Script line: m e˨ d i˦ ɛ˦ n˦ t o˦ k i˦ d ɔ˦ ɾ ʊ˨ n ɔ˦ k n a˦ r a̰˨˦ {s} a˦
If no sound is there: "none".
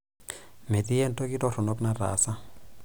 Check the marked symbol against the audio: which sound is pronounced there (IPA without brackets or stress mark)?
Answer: s